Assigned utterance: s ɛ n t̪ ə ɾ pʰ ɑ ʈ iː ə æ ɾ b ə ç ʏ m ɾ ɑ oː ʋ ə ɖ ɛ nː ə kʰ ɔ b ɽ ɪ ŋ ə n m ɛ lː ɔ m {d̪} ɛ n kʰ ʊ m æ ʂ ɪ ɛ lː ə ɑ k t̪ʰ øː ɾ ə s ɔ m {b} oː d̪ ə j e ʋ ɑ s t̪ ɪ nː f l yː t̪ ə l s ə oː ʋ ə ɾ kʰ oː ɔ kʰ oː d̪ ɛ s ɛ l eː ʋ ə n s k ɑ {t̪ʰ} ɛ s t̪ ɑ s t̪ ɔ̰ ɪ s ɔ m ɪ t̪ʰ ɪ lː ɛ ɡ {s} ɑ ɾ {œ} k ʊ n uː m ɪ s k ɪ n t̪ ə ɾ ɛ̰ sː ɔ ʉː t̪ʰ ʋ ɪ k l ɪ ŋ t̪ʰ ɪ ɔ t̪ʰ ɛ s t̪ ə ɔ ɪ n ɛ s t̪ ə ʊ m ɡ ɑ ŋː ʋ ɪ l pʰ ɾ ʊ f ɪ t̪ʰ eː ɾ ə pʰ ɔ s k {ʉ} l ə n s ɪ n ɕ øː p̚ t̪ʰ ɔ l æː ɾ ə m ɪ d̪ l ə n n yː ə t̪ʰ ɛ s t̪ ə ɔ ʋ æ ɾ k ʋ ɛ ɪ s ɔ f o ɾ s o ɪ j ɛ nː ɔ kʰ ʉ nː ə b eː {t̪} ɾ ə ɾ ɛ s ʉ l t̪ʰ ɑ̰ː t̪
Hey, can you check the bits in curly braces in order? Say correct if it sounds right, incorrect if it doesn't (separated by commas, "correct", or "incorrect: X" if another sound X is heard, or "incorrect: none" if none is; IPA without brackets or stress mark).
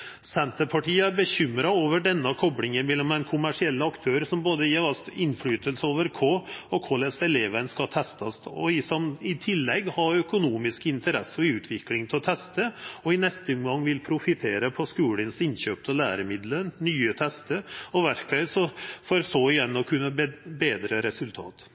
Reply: correct, correct, correct, incorrect: h, correct, incorrect: ʉː, incorrect: d̪